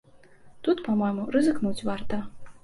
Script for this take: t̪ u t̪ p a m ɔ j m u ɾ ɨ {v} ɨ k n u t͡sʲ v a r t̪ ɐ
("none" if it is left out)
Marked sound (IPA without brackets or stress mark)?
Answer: z